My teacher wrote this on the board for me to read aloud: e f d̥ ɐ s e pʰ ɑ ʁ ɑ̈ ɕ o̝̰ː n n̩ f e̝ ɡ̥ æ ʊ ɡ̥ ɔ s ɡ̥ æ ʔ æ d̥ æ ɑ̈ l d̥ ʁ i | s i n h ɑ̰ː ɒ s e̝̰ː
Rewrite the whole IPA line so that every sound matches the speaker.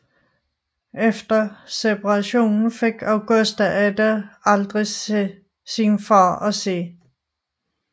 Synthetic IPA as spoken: e f d̥ ɐ s e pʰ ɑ ʁ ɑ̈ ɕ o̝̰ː n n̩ f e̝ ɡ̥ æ ʊ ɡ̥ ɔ s d̥ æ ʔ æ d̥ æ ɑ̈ l d̥ ʁ i | s i n f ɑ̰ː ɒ s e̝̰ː